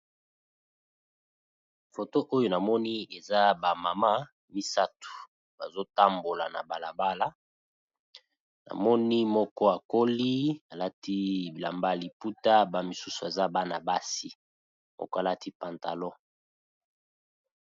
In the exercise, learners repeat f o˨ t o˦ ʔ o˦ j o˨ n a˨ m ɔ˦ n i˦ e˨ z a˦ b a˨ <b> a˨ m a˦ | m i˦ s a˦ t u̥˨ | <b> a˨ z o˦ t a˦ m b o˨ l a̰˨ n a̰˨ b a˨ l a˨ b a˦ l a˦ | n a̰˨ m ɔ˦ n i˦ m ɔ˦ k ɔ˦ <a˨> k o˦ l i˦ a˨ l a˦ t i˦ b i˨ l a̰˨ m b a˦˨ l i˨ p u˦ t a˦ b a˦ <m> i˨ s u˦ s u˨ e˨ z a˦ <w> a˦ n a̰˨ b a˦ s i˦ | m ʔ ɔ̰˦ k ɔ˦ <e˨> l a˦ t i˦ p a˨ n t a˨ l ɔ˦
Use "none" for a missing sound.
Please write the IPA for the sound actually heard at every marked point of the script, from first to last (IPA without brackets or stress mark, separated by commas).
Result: m, b, a˨, m, b, a˨